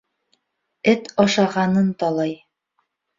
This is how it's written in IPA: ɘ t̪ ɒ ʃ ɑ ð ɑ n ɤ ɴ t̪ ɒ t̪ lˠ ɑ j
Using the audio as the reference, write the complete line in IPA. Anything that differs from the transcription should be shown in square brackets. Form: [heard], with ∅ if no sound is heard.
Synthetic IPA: ɘ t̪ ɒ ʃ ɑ [ʁ] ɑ n ɤ [n] t̪ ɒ [∅] lˠ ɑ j